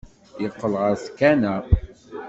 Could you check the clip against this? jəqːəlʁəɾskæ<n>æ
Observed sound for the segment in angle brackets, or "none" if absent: n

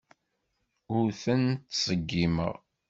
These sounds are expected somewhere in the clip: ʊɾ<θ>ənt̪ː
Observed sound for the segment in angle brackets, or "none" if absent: θ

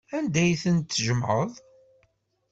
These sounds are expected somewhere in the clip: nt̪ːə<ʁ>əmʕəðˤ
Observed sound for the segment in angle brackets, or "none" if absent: ʒ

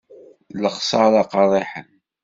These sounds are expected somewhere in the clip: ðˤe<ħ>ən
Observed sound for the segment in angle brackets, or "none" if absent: ħ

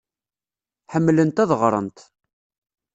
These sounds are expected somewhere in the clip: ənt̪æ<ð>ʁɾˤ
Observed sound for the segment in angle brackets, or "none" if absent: ð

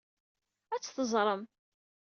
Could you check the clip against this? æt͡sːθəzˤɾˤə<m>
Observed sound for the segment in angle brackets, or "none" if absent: m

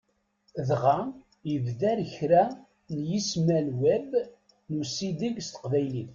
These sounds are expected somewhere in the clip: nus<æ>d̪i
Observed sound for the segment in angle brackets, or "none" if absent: i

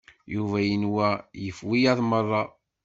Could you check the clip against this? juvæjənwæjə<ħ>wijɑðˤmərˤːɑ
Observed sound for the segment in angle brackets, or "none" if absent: f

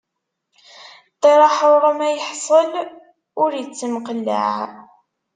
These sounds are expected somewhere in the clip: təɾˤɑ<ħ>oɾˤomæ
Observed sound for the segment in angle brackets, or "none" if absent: ħ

